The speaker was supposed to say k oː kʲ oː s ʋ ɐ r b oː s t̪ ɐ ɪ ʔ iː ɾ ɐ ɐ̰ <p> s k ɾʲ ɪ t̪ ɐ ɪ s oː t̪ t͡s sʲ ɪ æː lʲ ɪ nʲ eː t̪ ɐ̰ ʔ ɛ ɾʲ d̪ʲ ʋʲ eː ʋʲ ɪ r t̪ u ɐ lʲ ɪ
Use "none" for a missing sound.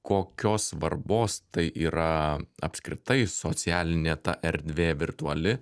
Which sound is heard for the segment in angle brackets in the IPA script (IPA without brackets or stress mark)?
p